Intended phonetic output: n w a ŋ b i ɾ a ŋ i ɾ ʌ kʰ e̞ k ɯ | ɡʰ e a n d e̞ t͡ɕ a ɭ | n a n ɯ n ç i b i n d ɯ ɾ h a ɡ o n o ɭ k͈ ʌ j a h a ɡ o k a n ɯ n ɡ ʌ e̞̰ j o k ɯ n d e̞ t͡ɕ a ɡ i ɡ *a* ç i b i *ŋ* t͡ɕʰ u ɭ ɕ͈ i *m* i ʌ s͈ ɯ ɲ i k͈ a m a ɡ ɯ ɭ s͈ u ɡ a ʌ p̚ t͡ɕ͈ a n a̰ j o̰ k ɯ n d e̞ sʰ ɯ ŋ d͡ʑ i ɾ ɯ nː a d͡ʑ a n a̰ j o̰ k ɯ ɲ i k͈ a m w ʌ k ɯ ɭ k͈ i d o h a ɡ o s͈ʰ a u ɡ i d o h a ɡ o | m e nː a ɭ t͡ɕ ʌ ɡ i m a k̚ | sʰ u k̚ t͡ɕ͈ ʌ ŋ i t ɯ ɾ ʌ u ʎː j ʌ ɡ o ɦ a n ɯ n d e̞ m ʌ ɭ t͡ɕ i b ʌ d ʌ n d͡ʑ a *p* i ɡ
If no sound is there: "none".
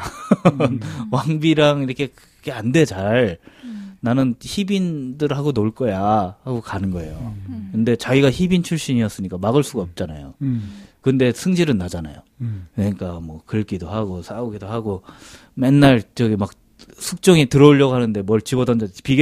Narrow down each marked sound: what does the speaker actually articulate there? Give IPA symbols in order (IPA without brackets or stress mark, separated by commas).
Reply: a, n, ɲ, p